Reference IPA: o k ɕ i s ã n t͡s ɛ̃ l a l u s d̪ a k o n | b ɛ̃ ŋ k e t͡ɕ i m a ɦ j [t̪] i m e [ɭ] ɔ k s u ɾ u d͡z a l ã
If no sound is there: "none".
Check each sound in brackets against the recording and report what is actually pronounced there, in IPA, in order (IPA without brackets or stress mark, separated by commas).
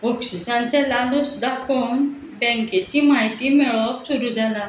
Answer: t̪, ɭ